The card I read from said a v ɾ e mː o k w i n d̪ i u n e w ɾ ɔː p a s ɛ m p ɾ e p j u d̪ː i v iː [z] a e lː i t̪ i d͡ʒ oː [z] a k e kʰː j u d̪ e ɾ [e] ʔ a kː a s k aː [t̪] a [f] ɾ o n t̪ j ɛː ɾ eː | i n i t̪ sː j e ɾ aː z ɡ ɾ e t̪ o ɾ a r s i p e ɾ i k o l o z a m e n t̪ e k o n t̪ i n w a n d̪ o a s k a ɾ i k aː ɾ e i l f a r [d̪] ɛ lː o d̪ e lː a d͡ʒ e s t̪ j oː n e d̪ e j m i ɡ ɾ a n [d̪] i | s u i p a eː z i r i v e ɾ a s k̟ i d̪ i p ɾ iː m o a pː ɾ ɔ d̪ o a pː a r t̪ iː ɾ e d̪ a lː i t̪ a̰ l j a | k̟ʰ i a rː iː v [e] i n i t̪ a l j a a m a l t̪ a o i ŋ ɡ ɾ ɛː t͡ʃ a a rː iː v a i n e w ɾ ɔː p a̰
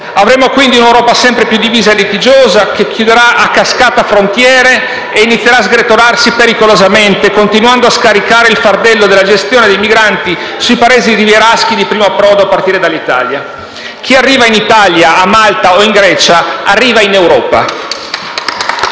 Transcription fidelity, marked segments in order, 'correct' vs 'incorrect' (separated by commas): correct, correct, incorrect, correct, correct, correct, incorrect, incorrect